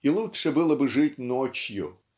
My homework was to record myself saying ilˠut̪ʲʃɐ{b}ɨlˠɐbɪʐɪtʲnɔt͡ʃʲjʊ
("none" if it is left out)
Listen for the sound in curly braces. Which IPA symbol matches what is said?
b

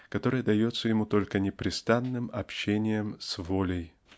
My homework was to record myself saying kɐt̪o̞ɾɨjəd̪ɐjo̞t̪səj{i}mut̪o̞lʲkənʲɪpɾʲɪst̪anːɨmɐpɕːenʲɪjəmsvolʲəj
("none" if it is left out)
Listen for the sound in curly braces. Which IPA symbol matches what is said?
ɪ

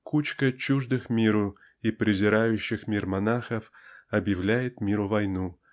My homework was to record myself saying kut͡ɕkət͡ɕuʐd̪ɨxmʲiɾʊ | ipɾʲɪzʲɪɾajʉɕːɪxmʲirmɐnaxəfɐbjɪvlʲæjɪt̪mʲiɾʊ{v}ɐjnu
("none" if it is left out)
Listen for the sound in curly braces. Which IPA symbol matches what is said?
v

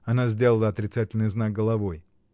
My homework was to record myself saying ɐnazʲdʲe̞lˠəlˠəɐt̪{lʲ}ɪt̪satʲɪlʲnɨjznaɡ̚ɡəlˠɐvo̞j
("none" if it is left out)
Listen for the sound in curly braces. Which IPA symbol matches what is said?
ɾʲ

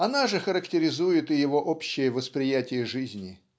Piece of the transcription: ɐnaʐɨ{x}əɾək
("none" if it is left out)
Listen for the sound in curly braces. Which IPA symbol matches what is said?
x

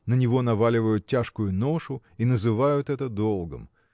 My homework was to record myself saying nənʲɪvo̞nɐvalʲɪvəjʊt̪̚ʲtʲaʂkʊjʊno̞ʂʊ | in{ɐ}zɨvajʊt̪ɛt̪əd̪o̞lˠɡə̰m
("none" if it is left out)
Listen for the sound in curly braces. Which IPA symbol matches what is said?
ə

